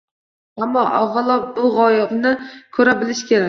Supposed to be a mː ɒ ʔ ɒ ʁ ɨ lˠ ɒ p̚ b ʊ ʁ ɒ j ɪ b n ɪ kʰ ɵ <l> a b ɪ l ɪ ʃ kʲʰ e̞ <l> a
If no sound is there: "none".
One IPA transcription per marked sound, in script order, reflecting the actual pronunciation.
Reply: ɾ, ɾ

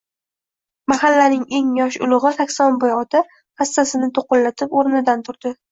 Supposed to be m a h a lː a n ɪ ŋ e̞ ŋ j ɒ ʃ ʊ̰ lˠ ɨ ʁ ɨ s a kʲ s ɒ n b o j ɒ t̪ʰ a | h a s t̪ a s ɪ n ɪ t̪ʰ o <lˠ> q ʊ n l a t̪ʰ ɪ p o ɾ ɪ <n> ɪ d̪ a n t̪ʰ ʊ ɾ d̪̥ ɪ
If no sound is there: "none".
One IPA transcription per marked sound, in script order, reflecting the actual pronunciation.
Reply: none, n

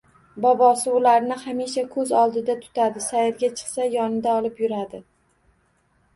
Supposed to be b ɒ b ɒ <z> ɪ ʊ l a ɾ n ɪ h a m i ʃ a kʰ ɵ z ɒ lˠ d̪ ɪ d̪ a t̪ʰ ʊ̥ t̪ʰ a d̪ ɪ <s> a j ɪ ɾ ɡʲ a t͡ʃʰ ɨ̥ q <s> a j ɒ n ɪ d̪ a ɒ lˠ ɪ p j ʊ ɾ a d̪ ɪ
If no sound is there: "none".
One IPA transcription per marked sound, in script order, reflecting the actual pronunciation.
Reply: s, s, s

